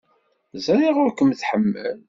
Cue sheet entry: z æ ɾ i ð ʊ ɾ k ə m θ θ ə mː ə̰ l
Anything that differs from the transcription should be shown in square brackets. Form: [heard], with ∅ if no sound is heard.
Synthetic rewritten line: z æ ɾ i [ʁ] ʊ ɾ k ə m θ [ħ] ə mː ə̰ l